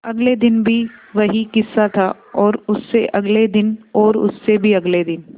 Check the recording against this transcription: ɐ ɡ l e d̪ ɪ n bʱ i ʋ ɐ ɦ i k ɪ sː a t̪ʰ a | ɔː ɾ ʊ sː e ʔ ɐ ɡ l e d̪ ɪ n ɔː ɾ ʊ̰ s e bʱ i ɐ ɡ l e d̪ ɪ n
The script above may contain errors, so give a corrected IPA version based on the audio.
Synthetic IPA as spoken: ɐ ɡ l e d̪ ɪ n bʱ i ʋ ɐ ɦ i k ɪ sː a t̪ʰ a | ɔː ɾ ʊ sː e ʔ ɐ ɡ l e d̪ ɪ n ɔː ɾ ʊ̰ sː e bʱ i ɐ ɡ l e d̪ ɪ n

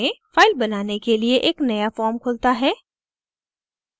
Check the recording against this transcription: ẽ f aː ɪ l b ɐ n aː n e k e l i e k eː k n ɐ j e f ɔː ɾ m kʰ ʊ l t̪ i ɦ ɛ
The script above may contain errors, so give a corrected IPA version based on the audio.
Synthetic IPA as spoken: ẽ f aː ɪ l b ɐ n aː n e k e l i e ʔ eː k n ɐ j a f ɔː ɾ m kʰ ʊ l t̪ a ɦ ɛː

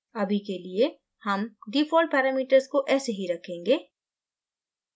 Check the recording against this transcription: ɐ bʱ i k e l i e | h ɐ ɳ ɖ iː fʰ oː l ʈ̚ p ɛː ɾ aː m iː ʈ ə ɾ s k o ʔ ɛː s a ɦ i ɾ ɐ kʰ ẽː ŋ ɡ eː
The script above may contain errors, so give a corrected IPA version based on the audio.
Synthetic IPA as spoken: ɐ bʱ i k e l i e | h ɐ m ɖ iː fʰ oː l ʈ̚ p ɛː ɾ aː m iː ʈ ə ɾ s k o ʔ ɛː s e ɦ i ɾ ɐ kʰ ẽː ŋ ɡ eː

